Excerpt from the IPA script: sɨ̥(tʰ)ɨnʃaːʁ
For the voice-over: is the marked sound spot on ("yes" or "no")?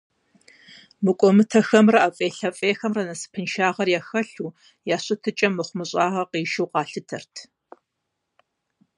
no